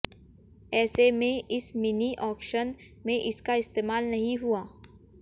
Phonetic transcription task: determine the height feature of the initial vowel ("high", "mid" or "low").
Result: mid